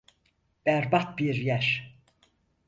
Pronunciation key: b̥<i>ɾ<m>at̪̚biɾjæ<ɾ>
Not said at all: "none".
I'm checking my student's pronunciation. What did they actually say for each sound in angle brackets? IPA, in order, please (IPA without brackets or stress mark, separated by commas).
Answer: æ, b, ɾ